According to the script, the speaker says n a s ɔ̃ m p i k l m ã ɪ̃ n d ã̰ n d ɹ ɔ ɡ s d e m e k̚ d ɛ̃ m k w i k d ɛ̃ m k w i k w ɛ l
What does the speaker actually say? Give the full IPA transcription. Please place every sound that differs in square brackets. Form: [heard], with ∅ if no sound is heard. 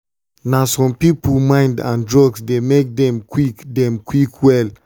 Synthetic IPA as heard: n a s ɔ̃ m p i [p] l m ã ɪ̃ n d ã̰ n d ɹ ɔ ɡ s d e m e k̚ d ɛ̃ m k w i k d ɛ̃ m k w i k w ɛ l

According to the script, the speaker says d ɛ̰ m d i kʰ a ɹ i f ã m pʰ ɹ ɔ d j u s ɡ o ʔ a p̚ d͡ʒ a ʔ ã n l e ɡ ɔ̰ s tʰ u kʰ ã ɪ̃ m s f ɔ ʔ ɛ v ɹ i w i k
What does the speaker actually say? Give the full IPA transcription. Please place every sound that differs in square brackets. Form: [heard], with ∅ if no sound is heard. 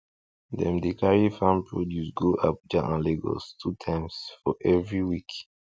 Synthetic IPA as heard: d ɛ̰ m d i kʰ a ɹ i f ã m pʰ ɹ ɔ d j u s ɡ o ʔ a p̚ d͡ʒ a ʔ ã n l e ɡ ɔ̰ s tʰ u [tʰ] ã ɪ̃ m s f ɔ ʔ ɛ v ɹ i w i k

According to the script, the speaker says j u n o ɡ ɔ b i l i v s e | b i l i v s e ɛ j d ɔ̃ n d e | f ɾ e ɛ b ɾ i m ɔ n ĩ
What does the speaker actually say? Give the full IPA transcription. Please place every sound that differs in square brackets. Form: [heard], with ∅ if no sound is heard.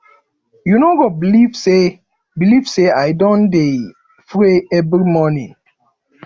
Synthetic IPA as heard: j u n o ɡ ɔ b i l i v s e | b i l i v s e [a] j d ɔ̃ n d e | f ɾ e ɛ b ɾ i m ɔ n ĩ

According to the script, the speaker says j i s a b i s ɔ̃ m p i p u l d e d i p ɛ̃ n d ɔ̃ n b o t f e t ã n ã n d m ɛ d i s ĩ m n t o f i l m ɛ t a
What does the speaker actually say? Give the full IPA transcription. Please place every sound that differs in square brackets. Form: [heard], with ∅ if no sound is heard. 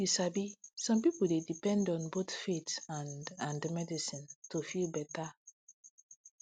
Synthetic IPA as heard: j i s a b i s ɔ̃ m p i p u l d e d i p ɛ̃ n d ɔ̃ n b o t f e t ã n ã n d m ɛ d i s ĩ [∅] n t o f i l [b] ɛ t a

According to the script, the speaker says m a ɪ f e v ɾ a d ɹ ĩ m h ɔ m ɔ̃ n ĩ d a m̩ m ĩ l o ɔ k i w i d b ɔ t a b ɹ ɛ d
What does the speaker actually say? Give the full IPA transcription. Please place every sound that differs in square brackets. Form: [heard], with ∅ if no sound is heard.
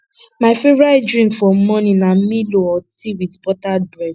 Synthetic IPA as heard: m a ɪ f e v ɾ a d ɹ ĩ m [f] ɔ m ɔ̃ n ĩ [n] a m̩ m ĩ l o ɔ [t] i w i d b ɔ t a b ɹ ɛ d

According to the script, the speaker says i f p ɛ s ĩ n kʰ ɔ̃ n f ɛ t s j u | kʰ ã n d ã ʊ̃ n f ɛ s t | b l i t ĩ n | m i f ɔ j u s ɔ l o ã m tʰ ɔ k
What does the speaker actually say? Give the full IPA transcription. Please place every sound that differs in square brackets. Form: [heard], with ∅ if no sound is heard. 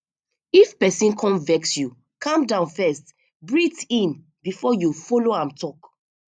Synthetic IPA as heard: i f p ɛ s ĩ n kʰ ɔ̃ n [v] ɛ [k] s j u | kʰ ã [m] d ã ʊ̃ n f ɛ s t | b [ɹ] i t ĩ n | [b] i f ɔ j u [f] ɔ l o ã m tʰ ɔ k

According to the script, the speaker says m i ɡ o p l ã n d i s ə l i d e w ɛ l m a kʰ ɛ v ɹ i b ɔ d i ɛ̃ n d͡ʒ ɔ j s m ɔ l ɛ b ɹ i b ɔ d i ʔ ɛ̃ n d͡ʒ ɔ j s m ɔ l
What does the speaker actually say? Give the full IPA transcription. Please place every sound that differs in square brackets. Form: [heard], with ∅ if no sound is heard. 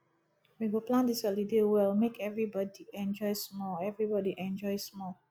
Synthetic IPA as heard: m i ɡ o p l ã n d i s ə l i d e w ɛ l m [e] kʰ ɛ v ɹ i b ɔ d i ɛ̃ n d͡ʒ ɔ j s m ɔ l ɛ [v] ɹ i b ɔ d i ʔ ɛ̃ n d͡ʒ ɔ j s m ɔ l

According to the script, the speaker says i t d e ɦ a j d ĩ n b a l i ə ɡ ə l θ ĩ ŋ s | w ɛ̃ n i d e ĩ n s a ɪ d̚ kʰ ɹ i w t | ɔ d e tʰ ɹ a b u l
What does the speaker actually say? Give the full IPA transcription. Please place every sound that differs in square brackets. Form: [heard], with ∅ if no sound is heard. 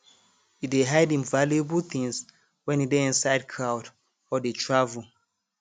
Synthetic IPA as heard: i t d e ɦ a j d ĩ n [v] a l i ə [b] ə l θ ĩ ŋ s | w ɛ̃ n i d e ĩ n s a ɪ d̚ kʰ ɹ [a] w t | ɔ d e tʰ ɹ a [v] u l

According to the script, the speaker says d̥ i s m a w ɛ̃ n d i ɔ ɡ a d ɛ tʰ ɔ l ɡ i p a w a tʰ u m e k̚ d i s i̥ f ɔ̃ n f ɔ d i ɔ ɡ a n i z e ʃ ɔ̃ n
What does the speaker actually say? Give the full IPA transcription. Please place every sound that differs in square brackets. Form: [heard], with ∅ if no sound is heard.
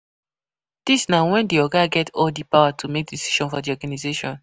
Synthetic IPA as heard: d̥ i s [n] a w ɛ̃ n d i ɔ ɡ a [ɡ] ɛ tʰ ɔ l [d] i p a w a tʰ u m e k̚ d i s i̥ [ʃ] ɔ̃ n f ɔ d i ɔ ɡ a n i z e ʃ ɔ̃ n

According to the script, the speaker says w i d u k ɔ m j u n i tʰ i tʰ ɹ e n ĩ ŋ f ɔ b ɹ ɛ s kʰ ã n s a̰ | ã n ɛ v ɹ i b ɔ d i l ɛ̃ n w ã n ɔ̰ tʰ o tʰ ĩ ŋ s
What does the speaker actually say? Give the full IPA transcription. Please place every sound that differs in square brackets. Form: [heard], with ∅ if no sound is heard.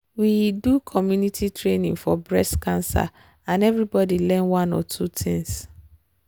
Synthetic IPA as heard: w i d u [kʰ] ɔ m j u n i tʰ i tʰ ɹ e n ĩ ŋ f ɔ b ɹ ɛ s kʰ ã n s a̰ | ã n ɛ v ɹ i b ɔ d i l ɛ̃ n w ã n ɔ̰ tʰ [u] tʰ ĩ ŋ s

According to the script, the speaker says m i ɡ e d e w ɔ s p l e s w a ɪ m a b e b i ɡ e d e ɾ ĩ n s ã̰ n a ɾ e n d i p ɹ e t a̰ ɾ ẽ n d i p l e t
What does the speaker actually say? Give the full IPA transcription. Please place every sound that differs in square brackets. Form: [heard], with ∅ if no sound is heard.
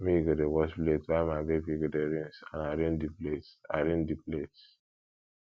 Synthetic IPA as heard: m i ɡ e d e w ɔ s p l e [t] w a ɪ m a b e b i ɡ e d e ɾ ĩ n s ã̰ n a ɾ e n d i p [l] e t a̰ ɾ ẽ n d i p l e t

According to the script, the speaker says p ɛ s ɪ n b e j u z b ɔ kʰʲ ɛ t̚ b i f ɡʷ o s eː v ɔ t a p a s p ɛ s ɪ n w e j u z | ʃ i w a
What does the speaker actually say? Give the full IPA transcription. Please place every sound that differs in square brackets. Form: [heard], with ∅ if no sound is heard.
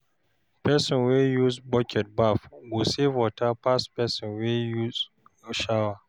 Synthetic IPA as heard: p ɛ s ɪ n [w] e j u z b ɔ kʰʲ ɛ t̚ b [a] f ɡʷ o s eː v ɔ t a p a s p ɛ s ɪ n w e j u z | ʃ [a] w a

